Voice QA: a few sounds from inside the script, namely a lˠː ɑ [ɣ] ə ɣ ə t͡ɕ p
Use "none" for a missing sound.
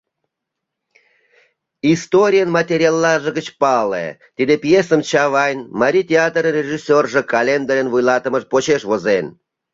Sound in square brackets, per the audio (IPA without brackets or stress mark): ʒ